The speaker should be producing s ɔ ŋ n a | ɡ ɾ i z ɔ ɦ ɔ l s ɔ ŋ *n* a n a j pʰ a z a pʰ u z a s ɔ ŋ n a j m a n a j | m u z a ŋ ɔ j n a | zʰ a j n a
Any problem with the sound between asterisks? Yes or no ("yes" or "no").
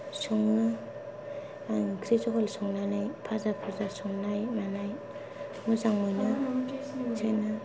no